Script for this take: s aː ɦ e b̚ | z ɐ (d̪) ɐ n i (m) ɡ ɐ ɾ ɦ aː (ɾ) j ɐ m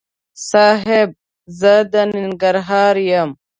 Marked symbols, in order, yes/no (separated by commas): yes, no, yes